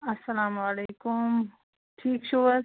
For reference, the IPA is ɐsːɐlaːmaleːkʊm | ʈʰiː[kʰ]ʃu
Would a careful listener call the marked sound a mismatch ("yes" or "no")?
yes